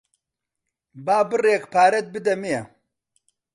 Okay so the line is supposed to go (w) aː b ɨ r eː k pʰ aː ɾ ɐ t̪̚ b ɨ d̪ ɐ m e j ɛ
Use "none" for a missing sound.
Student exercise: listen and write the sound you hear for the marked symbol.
b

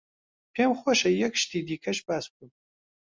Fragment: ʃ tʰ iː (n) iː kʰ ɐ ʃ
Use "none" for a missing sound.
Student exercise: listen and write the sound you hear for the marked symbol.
d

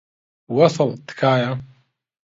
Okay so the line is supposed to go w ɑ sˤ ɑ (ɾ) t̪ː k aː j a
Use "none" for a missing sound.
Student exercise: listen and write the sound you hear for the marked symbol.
l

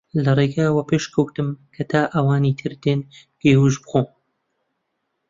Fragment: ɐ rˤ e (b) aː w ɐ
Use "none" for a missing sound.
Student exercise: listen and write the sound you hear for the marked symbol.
ɡ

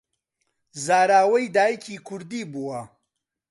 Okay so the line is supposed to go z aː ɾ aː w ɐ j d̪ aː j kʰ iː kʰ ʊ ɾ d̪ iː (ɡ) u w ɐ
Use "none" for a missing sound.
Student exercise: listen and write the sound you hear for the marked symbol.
b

